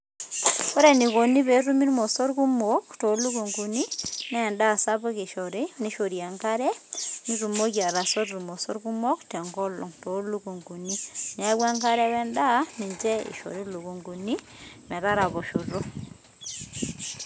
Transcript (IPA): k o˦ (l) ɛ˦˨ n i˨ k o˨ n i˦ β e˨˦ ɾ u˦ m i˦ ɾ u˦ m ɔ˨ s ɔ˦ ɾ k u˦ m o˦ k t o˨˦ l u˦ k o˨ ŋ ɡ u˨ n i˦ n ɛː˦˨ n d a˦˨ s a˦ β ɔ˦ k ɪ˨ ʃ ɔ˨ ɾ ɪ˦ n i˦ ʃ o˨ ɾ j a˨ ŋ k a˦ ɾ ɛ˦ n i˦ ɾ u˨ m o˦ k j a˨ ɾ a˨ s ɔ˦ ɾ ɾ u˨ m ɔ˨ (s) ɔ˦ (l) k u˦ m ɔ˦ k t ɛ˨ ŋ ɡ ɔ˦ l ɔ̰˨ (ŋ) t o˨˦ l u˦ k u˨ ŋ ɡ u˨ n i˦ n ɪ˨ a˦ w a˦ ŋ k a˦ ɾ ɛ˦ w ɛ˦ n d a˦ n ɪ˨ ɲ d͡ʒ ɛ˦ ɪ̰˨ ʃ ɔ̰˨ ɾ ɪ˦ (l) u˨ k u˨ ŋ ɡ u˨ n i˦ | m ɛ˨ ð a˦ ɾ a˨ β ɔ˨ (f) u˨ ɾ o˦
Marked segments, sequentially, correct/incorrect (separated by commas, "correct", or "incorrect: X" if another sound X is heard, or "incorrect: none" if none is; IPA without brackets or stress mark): incorrect: ɾ, correct, incorrect: ɾ, correct, correct, incorrect: ʃ